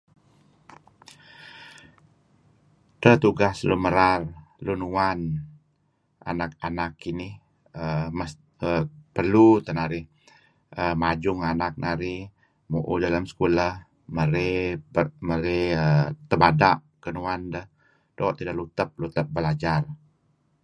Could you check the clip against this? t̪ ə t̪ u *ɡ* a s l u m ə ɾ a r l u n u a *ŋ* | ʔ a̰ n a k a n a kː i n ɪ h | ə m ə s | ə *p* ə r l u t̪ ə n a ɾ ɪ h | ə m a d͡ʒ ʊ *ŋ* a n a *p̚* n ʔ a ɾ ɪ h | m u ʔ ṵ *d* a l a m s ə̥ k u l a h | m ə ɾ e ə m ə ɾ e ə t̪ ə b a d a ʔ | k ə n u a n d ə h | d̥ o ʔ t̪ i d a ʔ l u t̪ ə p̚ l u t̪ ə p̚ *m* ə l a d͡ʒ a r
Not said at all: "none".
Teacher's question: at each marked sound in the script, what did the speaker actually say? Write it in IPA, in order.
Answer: ɡ, n, p, ŋ, k̚, d, b

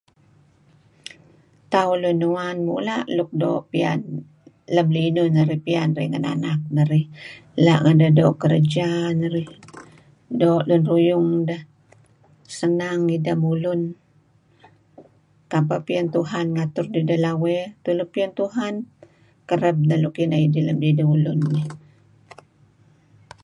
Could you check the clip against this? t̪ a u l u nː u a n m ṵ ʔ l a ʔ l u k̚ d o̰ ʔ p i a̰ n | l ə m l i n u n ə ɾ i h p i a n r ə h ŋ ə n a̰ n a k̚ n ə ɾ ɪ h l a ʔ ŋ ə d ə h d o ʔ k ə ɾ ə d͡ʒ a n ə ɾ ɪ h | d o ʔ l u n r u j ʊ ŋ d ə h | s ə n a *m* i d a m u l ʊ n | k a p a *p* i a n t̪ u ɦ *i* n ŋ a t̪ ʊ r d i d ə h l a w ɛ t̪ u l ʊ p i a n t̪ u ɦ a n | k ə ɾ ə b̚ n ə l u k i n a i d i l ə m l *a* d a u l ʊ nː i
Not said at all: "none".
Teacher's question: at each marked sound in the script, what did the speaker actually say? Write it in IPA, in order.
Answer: ŋ, p, a, i

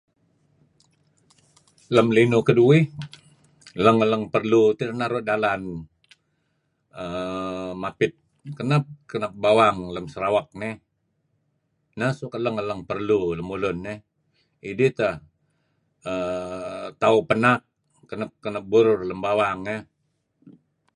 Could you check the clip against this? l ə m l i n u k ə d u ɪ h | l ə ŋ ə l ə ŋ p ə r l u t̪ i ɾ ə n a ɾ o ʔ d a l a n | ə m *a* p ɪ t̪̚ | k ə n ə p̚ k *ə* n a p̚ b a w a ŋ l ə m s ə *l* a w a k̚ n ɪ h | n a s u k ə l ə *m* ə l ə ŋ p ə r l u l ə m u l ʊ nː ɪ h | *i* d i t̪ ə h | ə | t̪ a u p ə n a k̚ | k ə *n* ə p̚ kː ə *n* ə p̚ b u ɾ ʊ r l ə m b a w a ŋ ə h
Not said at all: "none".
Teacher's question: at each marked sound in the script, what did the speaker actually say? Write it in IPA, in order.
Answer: a, ə, ɾ, ŋ, i, n, n

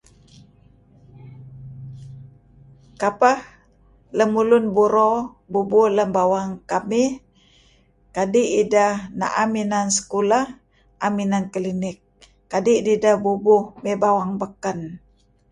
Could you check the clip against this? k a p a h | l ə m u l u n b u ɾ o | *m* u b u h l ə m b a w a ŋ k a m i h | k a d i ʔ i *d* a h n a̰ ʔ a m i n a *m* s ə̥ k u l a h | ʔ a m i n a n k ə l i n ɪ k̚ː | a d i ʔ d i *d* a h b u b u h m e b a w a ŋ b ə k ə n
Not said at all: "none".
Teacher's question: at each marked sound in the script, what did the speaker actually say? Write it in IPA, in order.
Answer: b, d, n, d

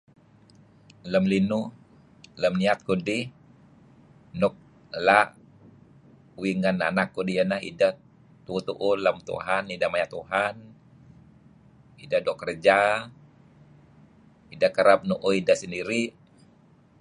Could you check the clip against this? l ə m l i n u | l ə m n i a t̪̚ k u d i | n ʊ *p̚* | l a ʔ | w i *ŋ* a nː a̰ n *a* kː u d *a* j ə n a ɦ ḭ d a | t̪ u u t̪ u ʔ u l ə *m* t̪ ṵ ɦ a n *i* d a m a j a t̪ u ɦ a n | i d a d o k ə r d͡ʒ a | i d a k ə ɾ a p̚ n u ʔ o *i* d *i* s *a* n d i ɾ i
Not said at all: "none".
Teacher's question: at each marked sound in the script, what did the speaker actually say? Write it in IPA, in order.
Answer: k̚, ŋ, a, i, m, i, i, a, ə

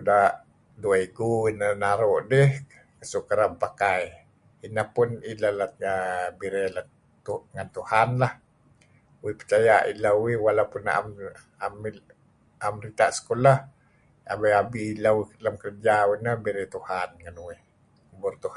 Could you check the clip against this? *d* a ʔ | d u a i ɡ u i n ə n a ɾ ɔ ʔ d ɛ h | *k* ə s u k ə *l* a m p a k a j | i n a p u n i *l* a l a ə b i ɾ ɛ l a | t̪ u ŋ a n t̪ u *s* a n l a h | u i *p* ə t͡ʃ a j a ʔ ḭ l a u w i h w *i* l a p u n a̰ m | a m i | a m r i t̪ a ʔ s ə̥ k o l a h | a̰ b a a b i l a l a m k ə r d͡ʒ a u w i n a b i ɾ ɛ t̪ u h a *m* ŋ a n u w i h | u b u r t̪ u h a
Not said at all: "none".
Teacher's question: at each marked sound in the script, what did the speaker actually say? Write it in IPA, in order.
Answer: d, k, ɾ, l, h, p, a, n

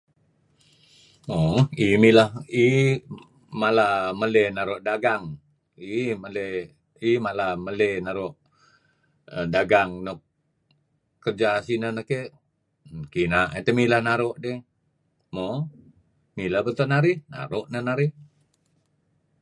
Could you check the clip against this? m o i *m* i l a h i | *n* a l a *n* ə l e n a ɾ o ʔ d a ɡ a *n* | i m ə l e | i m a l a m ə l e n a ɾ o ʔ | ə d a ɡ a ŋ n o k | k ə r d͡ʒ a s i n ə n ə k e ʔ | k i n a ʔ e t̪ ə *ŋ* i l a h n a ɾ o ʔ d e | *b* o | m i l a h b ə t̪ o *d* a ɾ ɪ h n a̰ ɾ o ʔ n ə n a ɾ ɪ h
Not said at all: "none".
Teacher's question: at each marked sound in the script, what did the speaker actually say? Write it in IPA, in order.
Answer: m, m, m, ŋ, m, m, n

